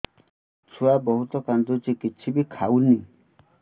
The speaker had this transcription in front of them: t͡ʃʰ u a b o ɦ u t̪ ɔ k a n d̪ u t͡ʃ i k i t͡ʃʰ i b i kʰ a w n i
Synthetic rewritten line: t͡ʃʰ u a b ɔ ɦ u t̪ ɔ k a n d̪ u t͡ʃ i k i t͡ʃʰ i b i kʰ a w n i